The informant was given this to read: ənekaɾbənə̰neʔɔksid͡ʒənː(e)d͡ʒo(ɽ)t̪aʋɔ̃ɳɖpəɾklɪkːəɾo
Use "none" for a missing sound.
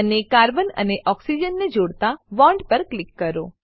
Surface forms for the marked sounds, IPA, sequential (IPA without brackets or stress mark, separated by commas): e, ɽ